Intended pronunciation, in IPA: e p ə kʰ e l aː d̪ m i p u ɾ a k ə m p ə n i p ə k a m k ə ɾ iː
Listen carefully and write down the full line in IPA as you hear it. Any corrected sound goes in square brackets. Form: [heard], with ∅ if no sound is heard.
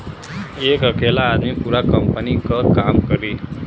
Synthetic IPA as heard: e [k] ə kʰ e l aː d̪ m i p u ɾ a k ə m p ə n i [k] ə k a m k ə ɾ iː